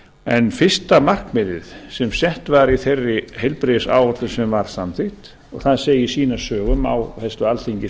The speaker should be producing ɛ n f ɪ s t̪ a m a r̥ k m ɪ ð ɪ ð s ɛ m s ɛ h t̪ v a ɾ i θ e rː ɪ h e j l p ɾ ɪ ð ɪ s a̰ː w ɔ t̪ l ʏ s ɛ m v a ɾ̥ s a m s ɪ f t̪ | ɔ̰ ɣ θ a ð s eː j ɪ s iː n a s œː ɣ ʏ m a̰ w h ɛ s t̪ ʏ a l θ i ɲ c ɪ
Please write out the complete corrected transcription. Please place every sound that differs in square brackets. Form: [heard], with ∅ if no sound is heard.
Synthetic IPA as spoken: ɛ n f ɪ s t̪ a m a r̥ k m ɪ ð ɪ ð s ɛ m s ɛ h t̪ v a ɾ i θ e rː ɪ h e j l p ɾ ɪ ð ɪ s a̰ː w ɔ t̪ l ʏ s ɛ m v a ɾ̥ s a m [θ] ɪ [h] t̪ | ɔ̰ ɣ θ a ð s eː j ɪ s iː n a s œː ɣ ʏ m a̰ w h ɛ s t̪ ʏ a l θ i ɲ c ɪ